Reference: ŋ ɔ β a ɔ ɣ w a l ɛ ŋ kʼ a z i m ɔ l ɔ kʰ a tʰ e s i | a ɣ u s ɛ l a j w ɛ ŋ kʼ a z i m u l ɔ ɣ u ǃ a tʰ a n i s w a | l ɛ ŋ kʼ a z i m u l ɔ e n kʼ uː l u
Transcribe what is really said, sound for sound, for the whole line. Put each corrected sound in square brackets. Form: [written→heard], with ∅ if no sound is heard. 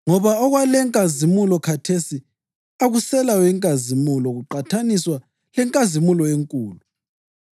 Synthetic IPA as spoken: ŋ ɔ β a ɔ ɣ w a l ɛ ŋ kʼ a z i m [ɔ→u] l ɔ kʰ a tʰ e s i | a ɣ u s ɛ l a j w ɛ ŋ kʼ a z i m u l ɔ ɣ u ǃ a tʰ a n i s w a | l ɛ ŋ kʼ a z i m u l ɔ e [n→ŋ] kʼ uː l u